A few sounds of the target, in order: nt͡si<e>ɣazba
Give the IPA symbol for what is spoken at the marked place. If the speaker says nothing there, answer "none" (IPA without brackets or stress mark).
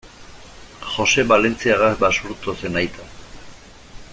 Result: a